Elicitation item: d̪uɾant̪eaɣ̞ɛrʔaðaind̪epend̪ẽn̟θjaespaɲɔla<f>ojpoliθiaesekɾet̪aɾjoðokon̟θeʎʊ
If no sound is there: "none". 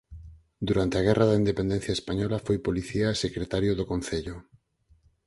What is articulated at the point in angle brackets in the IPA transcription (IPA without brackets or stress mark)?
f